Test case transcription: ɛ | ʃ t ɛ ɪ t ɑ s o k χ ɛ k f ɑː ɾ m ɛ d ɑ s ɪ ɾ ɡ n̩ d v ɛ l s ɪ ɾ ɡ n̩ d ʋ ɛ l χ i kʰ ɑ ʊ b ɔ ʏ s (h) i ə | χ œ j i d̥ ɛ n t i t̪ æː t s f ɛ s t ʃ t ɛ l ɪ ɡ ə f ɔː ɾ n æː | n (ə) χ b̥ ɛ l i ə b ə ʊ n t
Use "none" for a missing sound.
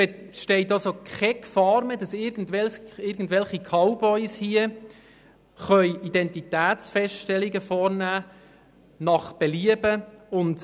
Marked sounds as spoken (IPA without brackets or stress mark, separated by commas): h, ɑ